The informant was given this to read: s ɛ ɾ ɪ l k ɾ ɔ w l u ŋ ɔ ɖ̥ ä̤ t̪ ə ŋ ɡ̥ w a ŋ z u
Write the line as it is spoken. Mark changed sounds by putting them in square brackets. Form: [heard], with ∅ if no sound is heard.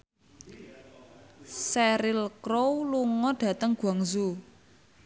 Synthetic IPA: s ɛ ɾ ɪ l k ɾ [o] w l u ŋ ɔ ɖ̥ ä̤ t̪ ə ŋ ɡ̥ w a ŋ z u